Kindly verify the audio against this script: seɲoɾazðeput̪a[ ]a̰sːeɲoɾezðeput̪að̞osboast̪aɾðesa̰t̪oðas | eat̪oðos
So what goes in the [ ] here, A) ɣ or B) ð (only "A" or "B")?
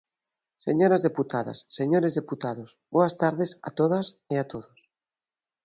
B